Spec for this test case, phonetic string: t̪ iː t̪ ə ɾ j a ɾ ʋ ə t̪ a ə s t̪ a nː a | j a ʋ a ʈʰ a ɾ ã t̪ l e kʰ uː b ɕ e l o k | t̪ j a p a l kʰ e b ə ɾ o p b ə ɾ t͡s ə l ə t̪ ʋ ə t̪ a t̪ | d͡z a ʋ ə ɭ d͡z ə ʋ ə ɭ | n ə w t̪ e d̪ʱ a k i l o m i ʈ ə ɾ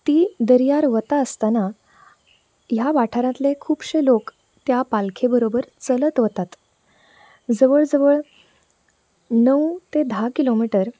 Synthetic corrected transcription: t̪ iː d̪ ə ɾ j a ɾ ʋ ə t̪ a ə s t̪ a n a | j a ʋ a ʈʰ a ɾ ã t̪ l e kʰ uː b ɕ e l o k | t̪ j a p a l kʰ e b ə ɾ o b ə ɾ t͡s ə l ə t̪ ʋ ə t̪ a t̪ | d͡z ə ʋ ə ɭ d͡z ə ʋ ə ɭ | n ə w t̪ e d̪ʱ a k i l o m i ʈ ə ɾ